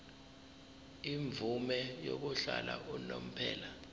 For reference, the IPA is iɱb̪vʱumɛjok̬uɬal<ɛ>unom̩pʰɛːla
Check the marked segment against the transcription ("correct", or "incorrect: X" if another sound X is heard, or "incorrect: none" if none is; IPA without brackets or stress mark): incorrect: a